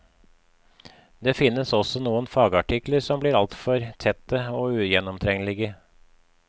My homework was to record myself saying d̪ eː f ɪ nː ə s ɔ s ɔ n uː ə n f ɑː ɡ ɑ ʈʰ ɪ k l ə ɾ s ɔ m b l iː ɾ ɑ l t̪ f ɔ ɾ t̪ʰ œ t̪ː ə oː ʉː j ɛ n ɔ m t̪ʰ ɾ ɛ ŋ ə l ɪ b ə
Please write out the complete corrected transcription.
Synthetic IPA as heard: d̪ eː f ɪ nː ə s ɔ s ɔ n uː ə n f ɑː ɡ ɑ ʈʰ ɪ k l ə ɾ s ɔ m b l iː ɾ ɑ l t̪ f ɔ ɾ t̪ʰ ɛ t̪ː ə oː ʉː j ɛ n ɔ m t̪ʰ ɾ ɛ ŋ ə l ɪ ɡ ə